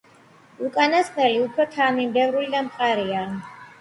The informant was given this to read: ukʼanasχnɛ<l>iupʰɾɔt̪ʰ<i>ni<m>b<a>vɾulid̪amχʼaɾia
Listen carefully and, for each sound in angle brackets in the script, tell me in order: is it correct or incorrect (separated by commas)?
correct, incorrect, correct, incorrect